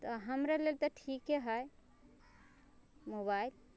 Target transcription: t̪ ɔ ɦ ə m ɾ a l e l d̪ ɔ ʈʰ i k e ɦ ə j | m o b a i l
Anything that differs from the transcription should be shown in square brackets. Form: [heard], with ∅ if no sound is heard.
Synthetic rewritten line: t̪ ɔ ɦ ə m ɾ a l e l [t̪] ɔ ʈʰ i k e ɦ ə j | m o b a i l